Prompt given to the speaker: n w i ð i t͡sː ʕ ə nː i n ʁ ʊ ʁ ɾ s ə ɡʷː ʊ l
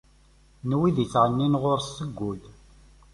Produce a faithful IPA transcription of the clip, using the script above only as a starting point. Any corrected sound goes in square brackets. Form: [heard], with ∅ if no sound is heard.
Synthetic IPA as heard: n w i ð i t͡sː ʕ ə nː i n ʁ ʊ [∅] ɾ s ə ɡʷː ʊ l